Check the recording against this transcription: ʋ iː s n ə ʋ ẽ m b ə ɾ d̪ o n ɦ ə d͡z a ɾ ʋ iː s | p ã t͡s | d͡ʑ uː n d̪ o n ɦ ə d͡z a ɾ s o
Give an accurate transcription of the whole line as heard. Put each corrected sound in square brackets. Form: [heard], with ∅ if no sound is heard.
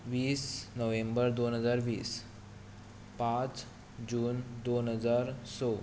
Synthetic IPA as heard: ʋ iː s n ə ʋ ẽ m b ə ɾ d̪ o n ɦ ə d͡z a ɾ ʋ iː s | p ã t͡s | d͡ʑ uː n d̪ o n ɦ ə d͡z a ɾ s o